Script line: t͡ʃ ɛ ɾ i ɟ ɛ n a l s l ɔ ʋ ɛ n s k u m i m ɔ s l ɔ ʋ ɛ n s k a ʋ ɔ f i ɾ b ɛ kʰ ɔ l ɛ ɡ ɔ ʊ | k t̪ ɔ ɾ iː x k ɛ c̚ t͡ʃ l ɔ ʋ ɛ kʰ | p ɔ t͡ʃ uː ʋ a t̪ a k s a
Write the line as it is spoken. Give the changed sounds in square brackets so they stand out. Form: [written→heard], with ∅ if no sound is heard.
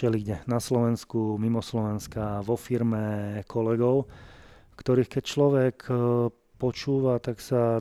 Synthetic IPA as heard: t͡ʃ ɛ [ɾ→l] i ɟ ɛ n a [l→∅] s l ɔ ʋ ɛ n s k u m i m ɔ s l ɔ ʋ ɛ n s k a ʋ ɔ f i ɾ [b→m] ɛ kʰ ɔ l ɛ ɡ ɔ ʊ | k t̪ ɔ ɾ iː x k ɛ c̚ t͡ʃ l ɔ ʋ ɛ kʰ | p ɔ t͡ʃ uː ʋ a t̪ a k s a